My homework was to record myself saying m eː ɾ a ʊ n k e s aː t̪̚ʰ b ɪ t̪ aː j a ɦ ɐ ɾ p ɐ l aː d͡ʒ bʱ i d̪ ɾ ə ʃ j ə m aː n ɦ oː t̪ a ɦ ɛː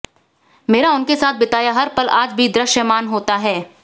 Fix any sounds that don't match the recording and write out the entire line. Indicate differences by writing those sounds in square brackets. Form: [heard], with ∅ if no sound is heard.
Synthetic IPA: m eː ɾ a ʊ n k e s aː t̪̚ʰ b ɪ t̪ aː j a ɦ ɐ ɾ p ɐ l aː d͡ʒ bʱ i d̪ ɾ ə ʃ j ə m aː n ɦ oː t̪ a ɦ ɛː